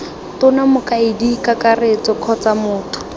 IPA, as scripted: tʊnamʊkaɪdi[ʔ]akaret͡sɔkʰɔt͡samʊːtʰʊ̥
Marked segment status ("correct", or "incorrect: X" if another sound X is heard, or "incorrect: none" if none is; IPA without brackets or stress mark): incorrect: k